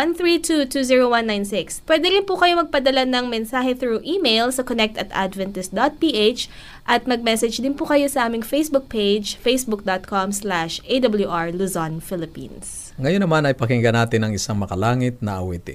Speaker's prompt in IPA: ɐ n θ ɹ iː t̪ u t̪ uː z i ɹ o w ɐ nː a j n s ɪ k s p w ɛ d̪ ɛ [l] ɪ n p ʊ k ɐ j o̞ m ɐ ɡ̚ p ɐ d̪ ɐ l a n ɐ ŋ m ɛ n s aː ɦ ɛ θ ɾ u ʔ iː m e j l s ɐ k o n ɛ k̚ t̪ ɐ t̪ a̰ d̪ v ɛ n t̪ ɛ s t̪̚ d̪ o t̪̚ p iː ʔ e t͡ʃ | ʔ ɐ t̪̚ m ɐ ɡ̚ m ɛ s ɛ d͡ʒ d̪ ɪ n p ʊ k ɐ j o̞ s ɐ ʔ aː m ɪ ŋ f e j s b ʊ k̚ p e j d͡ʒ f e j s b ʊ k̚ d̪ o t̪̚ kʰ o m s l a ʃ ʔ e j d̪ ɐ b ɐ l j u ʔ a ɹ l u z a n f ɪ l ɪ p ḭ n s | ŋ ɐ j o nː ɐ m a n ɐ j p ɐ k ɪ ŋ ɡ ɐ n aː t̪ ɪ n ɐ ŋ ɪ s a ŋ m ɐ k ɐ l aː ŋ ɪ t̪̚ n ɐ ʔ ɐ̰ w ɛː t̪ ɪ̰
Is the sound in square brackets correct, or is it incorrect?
incorrect